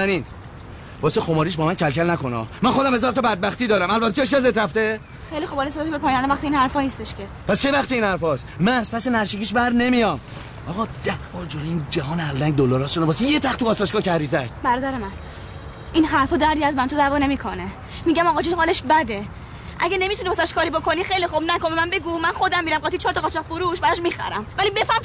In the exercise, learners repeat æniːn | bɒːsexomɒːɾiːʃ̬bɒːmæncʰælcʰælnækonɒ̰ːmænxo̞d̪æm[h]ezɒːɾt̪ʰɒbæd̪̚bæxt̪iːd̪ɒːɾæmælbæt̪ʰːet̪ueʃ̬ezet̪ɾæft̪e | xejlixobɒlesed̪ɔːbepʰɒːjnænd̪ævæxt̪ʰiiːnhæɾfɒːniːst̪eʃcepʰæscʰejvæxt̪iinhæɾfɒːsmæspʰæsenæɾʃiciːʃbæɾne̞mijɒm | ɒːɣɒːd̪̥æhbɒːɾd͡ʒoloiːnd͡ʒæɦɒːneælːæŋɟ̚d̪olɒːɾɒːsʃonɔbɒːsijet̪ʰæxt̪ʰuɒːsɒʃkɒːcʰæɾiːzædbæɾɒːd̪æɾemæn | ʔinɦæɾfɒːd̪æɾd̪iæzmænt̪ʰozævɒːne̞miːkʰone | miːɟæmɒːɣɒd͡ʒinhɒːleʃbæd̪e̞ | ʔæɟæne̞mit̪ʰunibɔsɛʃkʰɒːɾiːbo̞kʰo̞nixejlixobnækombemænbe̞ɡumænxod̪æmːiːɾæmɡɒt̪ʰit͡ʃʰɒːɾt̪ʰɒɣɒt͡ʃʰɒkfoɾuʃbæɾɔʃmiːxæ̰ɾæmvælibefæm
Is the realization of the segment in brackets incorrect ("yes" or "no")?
no